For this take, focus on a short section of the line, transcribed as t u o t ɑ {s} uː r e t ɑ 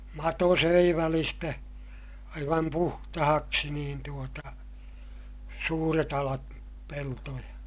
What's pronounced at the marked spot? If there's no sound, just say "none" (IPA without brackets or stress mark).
s